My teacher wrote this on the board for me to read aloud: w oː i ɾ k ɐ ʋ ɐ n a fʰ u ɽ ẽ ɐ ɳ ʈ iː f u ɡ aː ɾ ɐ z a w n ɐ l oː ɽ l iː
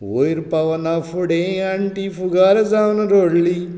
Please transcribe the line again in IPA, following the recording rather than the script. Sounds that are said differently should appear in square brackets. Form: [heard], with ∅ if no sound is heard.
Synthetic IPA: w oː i ɾ [p] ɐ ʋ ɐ n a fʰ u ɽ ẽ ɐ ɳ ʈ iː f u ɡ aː ɾ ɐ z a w n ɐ [ɾ] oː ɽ l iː